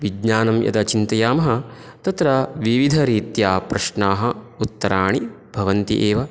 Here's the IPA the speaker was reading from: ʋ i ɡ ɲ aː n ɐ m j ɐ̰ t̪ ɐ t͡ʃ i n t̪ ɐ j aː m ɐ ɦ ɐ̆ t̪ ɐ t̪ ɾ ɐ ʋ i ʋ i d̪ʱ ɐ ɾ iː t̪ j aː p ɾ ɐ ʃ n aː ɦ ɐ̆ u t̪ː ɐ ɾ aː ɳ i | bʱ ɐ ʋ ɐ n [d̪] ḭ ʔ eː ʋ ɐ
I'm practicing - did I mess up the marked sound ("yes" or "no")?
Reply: yes